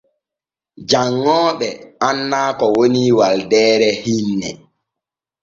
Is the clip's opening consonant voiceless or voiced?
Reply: voiced